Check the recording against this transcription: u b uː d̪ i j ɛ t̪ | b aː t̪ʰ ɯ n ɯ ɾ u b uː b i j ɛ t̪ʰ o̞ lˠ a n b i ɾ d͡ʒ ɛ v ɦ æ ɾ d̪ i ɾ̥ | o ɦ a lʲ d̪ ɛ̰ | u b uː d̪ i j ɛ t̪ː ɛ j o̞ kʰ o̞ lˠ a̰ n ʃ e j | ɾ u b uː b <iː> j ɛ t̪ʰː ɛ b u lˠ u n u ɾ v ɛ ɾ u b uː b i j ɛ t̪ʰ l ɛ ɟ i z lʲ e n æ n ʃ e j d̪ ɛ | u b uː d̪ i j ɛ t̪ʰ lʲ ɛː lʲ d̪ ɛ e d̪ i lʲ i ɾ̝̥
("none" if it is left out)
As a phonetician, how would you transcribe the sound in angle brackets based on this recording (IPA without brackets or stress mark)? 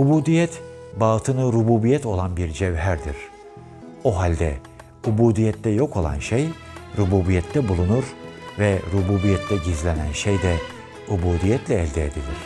i